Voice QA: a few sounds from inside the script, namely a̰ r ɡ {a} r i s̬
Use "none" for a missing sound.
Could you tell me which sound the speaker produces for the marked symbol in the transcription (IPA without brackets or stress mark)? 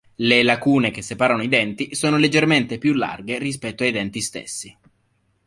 e